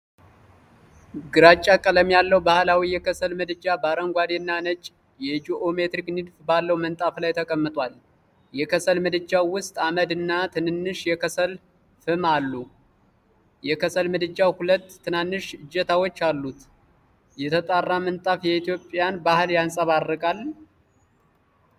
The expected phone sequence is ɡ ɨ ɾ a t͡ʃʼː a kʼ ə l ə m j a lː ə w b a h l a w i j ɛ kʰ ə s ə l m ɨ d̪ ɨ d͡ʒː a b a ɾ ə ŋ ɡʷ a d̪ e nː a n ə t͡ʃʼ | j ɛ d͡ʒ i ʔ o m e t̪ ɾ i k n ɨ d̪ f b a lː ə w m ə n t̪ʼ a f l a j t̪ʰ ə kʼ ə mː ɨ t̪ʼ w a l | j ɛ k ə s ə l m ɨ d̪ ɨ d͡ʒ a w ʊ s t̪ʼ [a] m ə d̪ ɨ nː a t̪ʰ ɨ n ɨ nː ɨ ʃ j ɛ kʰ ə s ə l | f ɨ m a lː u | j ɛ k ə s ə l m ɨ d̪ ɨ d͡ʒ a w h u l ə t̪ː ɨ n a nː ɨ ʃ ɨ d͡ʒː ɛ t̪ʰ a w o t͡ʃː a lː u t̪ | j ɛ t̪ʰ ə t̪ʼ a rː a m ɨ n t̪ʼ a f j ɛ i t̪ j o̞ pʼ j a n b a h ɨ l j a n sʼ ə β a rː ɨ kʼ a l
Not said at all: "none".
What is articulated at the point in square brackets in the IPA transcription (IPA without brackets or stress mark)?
a